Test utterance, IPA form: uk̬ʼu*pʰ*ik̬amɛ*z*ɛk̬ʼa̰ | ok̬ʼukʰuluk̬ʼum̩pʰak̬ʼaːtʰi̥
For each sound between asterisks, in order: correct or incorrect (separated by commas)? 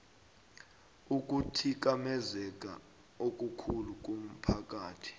incorrect, correct